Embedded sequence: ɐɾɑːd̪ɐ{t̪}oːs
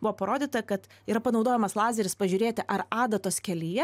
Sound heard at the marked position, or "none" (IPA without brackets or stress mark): t̪